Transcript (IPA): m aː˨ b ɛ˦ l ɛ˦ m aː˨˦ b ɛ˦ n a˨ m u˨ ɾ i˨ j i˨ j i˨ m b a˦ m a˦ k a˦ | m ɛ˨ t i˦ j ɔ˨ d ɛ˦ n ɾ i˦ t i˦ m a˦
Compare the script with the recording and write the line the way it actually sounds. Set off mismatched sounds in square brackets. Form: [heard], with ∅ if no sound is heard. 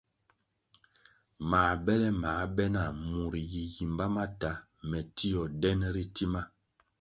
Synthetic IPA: m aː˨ b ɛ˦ l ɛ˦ m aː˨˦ b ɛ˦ n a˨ m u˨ ɾ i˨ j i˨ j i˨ m b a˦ m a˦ [t] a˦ | m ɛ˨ t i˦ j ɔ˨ d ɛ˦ n ɾ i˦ t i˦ m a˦